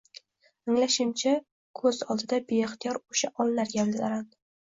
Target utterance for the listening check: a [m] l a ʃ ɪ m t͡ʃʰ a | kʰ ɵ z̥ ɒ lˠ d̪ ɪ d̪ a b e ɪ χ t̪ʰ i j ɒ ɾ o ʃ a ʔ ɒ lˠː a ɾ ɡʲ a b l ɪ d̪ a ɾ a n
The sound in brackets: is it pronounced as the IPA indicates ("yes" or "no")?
no